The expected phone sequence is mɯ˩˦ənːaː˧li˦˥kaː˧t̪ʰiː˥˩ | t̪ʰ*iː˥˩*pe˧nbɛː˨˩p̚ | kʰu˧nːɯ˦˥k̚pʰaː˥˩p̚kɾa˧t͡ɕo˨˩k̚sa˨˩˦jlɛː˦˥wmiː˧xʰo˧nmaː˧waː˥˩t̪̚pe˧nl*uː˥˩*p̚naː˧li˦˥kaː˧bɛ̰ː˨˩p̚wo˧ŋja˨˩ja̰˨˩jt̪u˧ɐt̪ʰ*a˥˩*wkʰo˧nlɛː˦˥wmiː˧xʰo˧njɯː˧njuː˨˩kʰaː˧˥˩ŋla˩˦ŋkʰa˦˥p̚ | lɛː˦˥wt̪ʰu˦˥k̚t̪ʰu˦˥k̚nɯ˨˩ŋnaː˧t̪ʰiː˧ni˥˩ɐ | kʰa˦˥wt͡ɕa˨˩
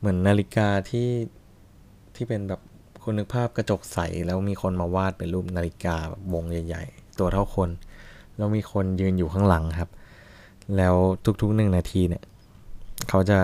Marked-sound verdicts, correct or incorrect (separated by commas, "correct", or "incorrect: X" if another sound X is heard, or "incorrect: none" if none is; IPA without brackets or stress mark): correct, correct, correct